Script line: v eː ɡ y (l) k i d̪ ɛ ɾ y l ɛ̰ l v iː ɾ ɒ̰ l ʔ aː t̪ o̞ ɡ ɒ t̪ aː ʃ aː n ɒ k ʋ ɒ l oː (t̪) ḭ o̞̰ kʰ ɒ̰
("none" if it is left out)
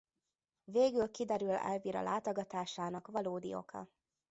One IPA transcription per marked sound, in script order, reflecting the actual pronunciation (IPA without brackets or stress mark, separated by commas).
l, d̪